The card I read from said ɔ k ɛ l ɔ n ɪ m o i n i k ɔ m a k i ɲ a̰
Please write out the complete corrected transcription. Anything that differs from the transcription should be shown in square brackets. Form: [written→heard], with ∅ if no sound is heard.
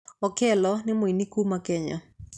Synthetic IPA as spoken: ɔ k ɛ l ɔ n ɪ m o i n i k [ɔ→u] m a k [i→ɛ] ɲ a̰